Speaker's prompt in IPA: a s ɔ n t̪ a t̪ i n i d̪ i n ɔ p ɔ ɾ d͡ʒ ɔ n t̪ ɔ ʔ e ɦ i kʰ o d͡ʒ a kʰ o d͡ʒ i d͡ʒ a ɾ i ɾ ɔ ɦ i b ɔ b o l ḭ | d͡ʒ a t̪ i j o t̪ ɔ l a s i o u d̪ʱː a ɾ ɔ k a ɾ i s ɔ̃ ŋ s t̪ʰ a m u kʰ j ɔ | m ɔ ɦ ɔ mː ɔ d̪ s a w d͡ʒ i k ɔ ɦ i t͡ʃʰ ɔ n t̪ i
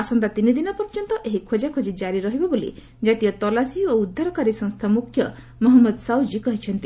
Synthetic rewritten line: a s ɔ n t̪ a t̪ i n i d̪ i n ɔ p ɔ ɾ d͡ʒ ɔ n t̪ ɔ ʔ e ɦ i kʰ o d͡ʒ a kʰ o d͡ʒ i d͡ʒ a ɾ i ɾ ɔ ɦ i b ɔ b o l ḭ | d͡ʒ a t̪ i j ɔ t̪ ɔ l a s i o u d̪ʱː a ɾ ɔ k a ɾ i s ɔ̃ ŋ s t̪ʰ a m u kʰ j ɔ | m ɔ ɦ ɔ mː ɔ d̪ s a w d͡ʒ i k ɔ ɦ i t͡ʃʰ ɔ n t̪ i

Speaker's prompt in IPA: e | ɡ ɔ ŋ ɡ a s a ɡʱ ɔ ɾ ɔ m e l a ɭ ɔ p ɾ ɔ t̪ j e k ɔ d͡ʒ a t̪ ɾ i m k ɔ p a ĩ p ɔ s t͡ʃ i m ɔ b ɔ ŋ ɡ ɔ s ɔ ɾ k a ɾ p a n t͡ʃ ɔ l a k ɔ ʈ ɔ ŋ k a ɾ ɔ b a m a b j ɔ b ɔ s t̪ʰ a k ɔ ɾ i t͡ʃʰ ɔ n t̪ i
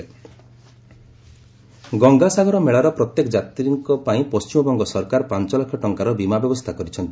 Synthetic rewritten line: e | ɡ ɔ ŋ ɡ a s a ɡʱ ɔ ɾ ɔ m e ɭ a ɾ ɔ p ɾ ɔ t̪ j e k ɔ d͡ʒ a t̪ ɾ i ŋ k ɔ p a ĩ p ɔ s t͡ʃ i m ɔ b ɔ ŋ ɡ ɔ s ɔ ɾ k a ɾ p a n t͡ʃ ɔ l a kʰ ɔ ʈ ɔ ŋ k a ɾ ɔ b i m a b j ɔ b ɔ s t̪ʰ a k ɔ ɾ i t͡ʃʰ ɔ n t̪ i

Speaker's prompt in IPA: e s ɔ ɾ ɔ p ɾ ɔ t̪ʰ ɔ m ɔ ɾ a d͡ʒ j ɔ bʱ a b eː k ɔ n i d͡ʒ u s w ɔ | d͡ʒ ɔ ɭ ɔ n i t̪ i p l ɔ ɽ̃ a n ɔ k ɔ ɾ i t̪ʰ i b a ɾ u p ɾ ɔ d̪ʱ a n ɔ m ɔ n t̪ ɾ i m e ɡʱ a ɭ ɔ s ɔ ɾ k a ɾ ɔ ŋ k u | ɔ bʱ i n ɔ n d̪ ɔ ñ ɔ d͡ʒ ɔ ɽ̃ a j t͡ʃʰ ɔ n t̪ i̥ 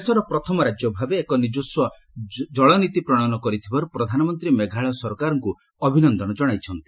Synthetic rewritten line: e s ɔ ɾ ɔ p ɾ ɔ t̪ʰ ɔ m ɔ ɾ a d͡ʒ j ɔ bʱ a b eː k ɔ n i d͡ʒ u s w ɔ | d͡ʒ ɔ ɭ ɔ n i t̪ i p ɾ ɔ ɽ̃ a n ɔ k ɔ ɾ i t̪ʰ i b a ɾ u p ɾ ɔ d̪ʱ a n ɔ m ɔ n t̪ ɾ i m e ɡʱ a ɭ ɔ s ɔ ɾ k a ɾ ɔ ŋ k u | ɔ bʱ i n ɔ n d̪ ɔ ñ ɔ d͡ʒ ɔ ɽ̃ a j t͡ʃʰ ɔ n t̪ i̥

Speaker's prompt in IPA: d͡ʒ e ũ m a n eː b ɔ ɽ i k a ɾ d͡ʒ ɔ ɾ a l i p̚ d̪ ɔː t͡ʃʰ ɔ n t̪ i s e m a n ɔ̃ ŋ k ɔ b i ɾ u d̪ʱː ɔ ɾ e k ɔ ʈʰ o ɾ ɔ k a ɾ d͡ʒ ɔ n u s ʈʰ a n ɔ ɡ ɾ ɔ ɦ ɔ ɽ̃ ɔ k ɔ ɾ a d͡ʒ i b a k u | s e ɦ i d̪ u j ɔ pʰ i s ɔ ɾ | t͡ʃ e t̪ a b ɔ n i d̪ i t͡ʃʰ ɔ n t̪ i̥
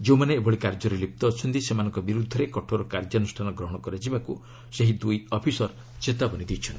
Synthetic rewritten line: d͡ʒ e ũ m a n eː b ɔ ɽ i k a ɾ d͡ʒ ɔ ɾ e l i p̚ t̪ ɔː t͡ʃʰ ɔ n t̪ i s e m a n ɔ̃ ŋ k ɔ b i ɾ u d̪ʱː ɔ ɾ e k ɔ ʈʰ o ɾ ɔ k a ɾ d͡ʒ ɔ n u s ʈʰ a n ɔ ɡ ɾ ɔ ɦ ɔ ɽ̃ ɔ k ɔ ɾ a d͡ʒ i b a k u | s e ɦ i d̪ u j ɔ pʰ i s ɔ ɾ | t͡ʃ e t̪ a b ɔ n i d̪ i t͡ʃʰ ɔ n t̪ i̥

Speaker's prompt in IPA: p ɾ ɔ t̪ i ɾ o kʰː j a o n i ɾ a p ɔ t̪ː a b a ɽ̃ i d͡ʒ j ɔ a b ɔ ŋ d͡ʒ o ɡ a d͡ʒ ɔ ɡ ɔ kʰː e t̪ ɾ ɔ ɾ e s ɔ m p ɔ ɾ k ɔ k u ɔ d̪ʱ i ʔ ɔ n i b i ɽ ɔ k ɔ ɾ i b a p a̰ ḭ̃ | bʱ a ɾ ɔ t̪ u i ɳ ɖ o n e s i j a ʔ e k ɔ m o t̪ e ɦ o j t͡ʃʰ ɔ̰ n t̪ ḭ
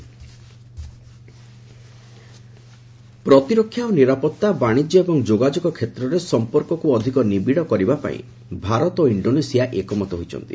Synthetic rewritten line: p ɾ ɔ t̪ i ɾ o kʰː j a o n i ɾ a p ɔ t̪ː a b a ɽ̃ i d͡ʒ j ɔ e b ɔ ŋ d͡ʒ o ɡ a d͡ʒ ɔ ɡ ɔ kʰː e t̪ ɾ ɔ ɾ e s ɔ m p ɔ ɾ k ɔ k u ɔ d̪ʱ i k ɔ n i b i ɽ ɔ k ɔ ɾ i b a p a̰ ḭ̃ | bʱ a ɾ ɔ t̪ o i ɳ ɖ o n e s i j a ʔ e k ɔ m ɔ t̪ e ɦ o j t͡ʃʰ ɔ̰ n t̪ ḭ

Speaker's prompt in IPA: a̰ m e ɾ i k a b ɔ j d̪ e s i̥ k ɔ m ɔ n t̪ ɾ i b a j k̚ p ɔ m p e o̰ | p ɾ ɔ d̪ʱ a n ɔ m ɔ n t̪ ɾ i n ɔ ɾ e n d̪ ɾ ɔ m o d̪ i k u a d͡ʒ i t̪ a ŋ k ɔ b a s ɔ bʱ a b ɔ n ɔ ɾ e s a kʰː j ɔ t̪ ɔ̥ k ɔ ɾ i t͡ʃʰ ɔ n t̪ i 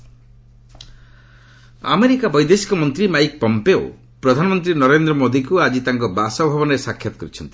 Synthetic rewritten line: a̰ m e ɾ i k a b ɔ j d̪ e s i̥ k ɔ m ɔ n t̪ ɾ i m a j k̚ p ɔ m p e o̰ | p ɾ ɔ d̪ʱ a n ɔ m ɔ n t̪ ɾ i n ɔ ɾ e n d̪ ɾ ɔ m o d̪ i k u a d͡ʒ i t̪ a ŋ k ɔ b a s ɔ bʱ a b ɔ n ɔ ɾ e s a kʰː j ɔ t̪ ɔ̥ k ɔ ɾ i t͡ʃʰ ɔ n t̪ i

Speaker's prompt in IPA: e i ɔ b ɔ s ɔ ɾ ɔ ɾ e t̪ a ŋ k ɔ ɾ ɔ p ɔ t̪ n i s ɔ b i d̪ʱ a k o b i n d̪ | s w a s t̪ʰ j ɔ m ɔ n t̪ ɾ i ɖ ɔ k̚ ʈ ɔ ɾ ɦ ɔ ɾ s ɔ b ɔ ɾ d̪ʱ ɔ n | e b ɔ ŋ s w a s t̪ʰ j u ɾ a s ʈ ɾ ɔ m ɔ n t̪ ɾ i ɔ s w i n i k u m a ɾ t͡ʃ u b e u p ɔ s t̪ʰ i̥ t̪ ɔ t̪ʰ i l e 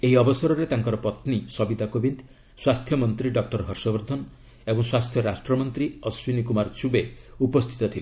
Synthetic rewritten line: e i ɔ b ɔ s ɔ ɾ ɔ ɾ e t̪ a ŋ k ɔ ɾ ɔ p ɔ t̪ n i s ɔ b i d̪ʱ a k o b i n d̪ | s w a s t̪ʰ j ɔ m ɔ n t̪ ɾ i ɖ ɔ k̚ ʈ ɔ ɾ ɦ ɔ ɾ s ɔ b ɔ ɾ d̪ʱ ɔ n | e b ɔ ŋ s w a s t̪ʰ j ɔ ɾ a s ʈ ɾ ɔ m ɔ n t̪ ɾ i ɔ s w i n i k u m a ɾ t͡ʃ u b e u p ɔ s t̪ʰ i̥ t̪ ɔ t̪ʰ i l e

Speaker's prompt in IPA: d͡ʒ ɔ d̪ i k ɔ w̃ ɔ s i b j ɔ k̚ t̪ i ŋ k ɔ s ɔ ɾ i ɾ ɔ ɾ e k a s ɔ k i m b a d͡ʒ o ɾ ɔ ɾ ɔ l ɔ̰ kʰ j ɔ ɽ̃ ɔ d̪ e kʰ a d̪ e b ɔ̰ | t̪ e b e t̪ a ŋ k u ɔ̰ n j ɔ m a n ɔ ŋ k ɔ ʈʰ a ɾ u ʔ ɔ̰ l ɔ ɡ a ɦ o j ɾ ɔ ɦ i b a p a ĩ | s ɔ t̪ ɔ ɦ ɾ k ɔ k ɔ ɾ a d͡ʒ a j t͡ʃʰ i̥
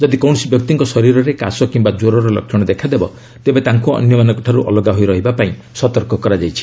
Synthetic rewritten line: d͡ʒ ɔ d̪ i k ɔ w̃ ɔ s i b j ɔ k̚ t̪ i ŋ k ɔ s ɔ ɾ i ɾ ɔ ɾ e k a s ɔ k i m b a d͡ʒ o ɾ ɔ ɾ ɔ l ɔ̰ kʰ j ɔ ɽ̃ ɔ d̪ e kʰ a d̪ e b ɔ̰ | t̪ e b e t̪ a ŋ k u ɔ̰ n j ɔ m a n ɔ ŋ k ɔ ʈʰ a ɾ u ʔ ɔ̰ l ɔ ɡ a ɦ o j ɾ ɔ ɦ i b a p a ĩ | s ɔ t̪ ɔ ɾ k ɔ k ɔ ɾ a d͡ʒ a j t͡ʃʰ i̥

